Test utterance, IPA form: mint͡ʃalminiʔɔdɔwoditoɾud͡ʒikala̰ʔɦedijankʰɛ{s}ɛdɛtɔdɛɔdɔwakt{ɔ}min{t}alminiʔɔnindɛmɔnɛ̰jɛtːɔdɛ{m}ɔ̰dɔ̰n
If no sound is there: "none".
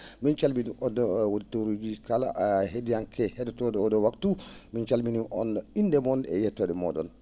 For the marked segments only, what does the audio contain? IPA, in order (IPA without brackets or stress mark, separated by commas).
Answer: h, u, t͡ʃ, m